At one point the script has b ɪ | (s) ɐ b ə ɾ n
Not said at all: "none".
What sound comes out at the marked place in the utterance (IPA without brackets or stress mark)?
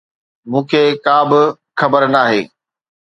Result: x